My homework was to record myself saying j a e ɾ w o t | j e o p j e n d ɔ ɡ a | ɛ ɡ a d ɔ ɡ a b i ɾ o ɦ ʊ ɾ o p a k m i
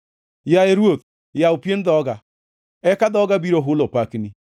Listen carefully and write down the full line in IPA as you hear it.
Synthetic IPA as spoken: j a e ɾ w o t | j a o p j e n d ɔ ɡ a | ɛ k a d ɔ ɡ a b i ɾ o ɦ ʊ l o p a k n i